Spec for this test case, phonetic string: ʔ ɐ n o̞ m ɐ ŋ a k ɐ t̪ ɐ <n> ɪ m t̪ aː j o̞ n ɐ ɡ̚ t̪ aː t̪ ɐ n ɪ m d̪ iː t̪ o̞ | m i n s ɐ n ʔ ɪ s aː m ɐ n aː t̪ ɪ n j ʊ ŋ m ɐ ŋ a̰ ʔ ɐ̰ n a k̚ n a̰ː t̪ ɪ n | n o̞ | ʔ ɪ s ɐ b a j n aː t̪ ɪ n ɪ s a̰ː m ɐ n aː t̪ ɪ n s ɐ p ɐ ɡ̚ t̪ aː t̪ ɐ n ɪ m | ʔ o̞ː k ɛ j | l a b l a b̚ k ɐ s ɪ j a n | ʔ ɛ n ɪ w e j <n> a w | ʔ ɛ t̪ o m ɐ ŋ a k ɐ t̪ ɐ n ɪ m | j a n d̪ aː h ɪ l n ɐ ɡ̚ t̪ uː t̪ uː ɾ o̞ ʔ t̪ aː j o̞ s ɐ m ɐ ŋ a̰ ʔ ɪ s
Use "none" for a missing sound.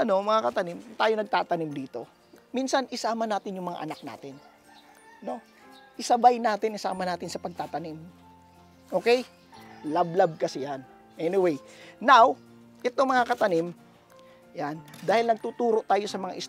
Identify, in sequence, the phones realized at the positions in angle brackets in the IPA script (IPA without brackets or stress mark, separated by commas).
n, n